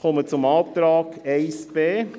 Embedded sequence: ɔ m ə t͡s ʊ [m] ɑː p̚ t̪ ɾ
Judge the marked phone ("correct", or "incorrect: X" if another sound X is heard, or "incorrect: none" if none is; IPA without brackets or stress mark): correct